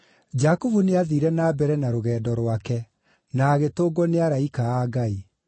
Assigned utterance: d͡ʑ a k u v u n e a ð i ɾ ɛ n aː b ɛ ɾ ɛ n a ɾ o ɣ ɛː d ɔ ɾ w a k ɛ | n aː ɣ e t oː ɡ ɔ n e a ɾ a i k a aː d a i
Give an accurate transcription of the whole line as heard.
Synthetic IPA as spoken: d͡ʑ a k u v u n e a ð i ɾ ɛ n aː b ɛ ɾ ɛ n a ɾ o ɣ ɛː d ɔ ɾ w a k ɛ | n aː ɣ e t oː ɡ ɔ n e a ɾ a i k a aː ɡ a i